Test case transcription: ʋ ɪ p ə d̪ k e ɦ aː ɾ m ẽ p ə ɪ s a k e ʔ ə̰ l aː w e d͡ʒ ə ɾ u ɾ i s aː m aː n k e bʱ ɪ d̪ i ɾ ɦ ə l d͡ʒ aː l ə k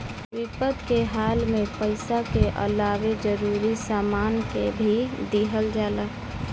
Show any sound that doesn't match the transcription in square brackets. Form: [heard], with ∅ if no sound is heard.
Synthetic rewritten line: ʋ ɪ p ə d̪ k e ɦ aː [l] m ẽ p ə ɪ s a k e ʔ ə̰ l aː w e d͡ʒ ə ɾ u ɾ i s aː m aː n k e bʱ [i] d̪ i [∅] ɦ ə l d͡ʒ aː l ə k